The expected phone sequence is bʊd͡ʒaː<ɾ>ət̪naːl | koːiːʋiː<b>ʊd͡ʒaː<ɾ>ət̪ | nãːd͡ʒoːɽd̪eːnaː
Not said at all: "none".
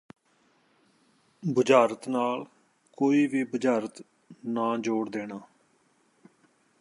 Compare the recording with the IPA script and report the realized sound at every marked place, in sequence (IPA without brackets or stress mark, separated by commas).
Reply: ɾ, b, ɾ